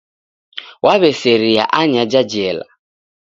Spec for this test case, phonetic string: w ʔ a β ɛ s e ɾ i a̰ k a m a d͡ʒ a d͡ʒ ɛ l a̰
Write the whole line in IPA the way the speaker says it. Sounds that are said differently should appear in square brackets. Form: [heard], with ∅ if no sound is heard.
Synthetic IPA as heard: w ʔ a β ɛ s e ɾ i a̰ [ʔ] a [ɲ] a d͡ʒ a d͡ʒ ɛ l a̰